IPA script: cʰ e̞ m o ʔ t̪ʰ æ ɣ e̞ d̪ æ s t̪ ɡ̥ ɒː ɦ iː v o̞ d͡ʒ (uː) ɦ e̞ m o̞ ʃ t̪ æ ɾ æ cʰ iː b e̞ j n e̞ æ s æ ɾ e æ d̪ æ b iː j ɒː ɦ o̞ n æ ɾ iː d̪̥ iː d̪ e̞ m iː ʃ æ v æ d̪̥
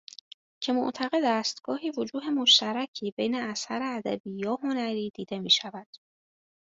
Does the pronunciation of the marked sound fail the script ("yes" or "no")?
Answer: no